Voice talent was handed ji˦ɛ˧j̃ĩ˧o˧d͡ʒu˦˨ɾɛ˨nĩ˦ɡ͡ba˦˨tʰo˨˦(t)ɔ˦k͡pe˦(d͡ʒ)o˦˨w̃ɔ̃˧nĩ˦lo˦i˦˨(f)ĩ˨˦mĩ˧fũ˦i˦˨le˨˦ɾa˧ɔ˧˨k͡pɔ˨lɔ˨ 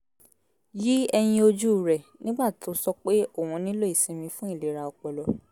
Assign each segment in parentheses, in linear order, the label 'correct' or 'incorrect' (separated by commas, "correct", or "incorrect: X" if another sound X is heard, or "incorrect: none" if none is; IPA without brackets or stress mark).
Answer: incorrect: s, incorrect: none, incorrect: s